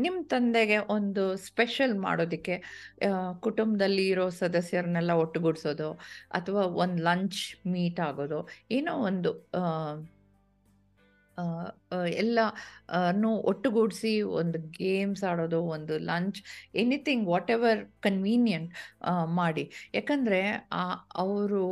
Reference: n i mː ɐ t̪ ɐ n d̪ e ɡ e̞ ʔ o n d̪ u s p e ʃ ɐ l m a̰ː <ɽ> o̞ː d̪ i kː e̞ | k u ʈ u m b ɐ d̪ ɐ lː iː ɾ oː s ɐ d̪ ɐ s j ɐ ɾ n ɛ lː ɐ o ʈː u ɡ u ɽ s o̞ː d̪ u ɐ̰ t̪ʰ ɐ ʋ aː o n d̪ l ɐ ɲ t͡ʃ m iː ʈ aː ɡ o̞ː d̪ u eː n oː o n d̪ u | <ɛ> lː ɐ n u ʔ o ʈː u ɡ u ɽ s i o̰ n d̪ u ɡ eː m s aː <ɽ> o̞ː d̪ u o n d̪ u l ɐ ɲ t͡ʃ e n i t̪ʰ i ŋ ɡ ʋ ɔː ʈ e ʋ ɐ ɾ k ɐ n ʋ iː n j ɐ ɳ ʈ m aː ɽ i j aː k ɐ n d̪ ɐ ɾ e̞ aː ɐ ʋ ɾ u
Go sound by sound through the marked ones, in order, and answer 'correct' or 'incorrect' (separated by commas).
correct, correct, correct